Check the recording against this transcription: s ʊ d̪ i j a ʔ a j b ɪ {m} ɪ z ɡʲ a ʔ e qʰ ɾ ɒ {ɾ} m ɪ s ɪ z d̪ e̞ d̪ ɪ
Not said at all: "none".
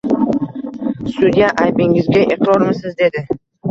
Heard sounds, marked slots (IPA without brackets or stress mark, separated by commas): ŋ, ɾ